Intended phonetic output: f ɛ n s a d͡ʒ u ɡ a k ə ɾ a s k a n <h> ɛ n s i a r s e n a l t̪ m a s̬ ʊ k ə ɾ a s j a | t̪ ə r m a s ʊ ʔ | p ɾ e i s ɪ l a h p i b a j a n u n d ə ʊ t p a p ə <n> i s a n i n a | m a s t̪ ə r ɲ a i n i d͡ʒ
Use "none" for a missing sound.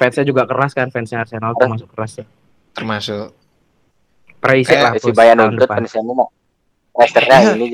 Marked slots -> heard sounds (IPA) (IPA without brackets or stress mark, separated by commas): f, n